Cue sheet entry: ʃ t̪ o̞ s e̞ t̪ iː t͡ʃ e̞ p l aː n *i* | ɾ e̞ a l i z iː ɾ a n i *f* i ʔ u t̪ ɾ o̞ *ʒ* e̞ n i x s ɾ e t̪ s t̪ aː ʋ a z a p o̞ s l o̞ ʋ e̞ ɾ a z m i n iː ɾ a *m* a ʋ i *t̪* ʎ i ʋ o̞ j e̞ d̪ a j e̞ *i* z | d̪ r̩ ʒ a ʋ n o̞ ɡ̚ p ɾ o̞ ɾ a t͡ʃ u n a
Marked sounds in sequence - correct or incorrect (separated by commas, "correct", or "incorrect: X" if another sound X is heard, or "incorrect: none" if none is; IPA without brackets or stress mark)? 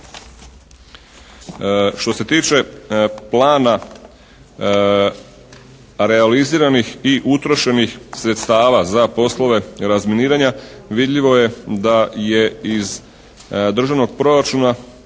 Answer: incorrect: a, incorrect: x, incorrect: ʃ, incorrect: ɲ, incorrect: d̪, correct